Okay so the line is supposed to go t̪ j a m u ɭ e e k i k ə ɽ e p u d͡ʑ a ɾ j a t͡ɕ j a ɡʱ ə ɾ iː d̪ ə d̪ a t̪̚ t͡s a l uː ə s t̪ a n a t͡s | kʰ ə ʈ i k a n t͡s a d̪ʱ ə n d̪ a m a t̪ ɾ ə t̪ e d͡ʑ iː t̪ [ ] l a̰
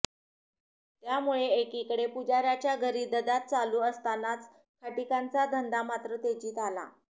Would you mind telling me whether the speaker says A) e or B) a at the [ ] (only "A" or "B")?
B